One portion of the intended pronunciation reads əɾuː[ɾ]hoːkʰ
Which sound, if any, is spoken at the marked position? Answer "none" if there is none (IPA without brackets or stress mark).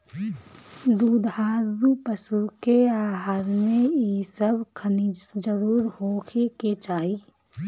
ɾ